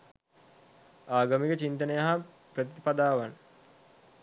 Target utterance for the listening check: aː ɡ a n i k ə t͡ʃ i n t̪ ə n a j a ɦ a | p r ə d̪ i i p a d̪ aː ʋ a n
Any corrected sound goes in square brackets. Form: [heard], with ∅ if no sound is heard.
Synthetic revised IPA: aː ɡ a [m] i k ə t͡ʃ i n t̪ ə n [ə] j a ɦ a | p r ə [t̪] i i p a d̪ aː ʋ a n